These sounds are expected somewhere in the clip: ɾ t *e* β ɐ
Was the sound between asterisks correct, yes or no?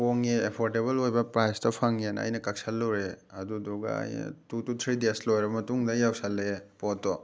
yes